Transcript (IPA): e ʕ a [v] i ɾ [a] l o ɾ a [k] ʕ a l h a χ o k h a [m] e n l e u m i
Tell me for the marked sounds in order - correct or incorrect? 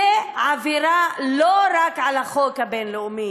correct, correct, correct, incorrect

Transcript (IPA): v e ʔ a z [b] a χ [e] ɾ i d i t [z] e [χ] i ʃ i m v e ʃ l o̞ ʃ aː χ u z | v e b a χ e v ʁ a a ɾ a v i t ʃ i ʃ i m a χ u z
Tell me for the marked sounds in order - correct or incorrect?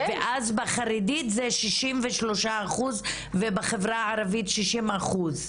correct, incorrect, correct, incorrect

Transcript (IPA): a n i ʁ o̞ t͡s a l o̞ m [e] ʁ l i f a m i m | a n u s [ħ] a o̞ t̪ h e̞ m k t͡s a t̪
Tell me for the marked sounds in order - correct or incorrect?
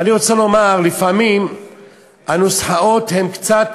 incorrect, correct

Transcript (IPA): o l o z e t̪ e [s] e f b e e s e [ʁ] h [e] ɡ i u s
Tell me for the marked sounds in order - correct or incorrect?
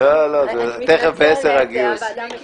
incorrect, correct, incorrect

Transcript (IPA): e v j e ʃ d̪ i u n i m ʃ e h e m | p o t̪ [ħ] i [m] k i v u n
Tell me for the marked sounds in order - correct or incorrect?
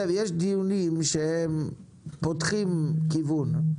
incorrect, correct

